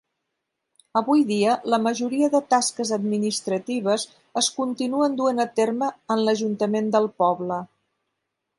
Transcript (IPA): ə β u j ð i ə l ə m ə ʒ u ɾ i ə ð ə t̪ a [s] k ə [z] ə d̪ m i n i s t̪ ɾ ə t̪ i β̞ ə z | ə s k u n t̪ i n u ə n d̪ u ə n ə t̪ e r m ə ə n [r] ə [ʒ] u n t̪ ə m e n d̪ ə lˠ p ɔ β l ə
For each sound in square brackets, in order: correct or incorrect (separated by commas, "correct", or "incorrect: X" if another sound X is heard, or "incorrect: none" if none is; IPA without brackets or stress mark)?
correct, correct, incorrect: l, correct